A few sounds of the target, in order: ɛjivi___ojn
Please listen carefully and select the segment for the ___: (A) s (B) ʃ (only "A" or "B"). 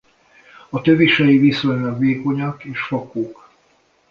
A